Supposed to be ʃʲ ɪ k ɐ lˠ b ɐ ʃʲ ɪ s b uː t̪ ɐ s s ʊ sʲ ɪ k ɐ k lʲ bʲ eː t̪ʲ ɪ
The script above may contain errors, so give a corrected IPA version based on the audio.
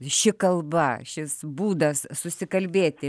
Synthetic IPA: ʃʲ ɪ k ɐ lˠ b ɐ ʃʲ ɪ s b uː d̪ ɐ s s ʊ sʲ ɪ k ɐ lʲ bʲ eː t̪ʲ ɪ

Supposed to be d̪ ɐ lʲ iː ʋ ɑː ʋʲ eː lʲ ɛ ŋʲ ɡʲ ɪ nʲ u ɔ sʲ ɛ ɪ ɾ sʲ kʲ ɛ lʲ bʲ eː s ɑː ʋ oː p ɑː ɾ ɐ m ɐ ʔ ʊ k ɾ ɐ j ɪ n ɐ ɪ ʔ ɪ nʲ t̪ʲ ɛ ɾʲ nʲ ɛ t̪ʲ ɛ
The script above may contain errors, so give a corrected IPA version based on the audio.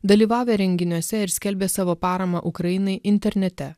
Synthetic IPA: d̪ ɐ lʲ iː ʋ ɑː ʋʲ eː ɾʲ ɛ ŋʲ ɡʲ ɪ nʲ u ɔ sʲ ɛ ɪ ɾ sʲ kʲ ɛ lʲ bʲ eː s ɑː ʋ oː p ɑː ɾ ɐ m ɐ ʔ ʊ k ɾ ɐ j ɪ n ɐ ɪ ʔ ɪ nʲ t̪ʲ ɛ ɾʲ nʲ ɛ t̪ʲ ɛ

